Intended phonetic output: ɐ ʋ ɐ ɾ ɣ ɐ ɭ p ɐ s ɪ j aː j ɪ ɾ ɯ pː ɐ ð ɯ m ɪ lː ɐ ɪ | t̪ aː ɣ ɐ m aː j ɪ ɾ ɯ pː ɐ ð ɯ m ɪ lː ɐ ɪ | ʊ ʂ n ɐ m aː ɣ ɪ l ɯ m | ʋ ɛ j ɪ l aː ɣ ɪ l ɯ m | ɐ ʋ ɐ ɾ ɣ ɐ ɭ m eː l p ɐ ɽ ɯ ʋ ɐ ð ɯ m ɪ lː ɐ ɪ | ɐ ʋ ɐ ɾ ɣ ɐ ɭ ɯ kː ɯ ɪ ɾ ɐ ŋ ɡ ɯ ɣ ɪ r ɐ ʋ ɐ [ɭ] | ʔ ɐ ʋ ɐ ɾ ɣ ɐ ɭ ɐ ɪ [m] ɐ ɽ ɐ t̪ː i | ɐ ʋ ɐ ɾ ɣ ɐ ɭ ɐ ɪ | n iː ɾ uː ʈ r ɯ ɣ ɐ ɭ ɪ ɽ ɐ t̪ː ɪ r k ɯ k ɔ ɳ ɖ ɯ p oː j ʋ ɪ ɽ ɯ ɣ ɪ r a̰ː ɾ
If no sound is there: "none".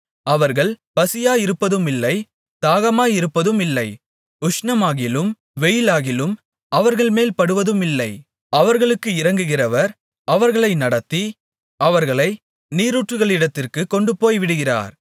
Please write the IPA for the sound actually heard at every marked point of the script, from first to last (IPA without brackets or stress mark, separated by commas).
ɾ, n